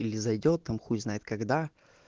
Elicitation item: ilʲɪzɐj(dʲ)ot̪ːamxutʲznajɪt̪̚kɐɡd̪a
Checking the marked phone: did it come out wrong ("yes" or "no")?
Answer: no